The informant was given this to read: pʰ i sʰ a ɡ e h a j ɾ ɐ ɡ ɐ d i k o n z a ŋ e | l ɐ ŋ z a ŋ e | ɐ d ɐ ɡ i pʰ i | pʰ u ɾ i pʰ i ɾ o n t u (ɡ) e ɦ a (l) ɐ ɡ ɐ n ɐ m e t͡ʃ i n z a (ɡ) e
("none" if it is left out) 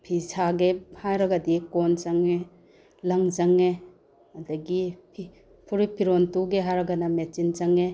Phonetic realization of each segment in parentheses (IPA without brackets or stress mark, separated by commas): ɡ, ɾ, ŋ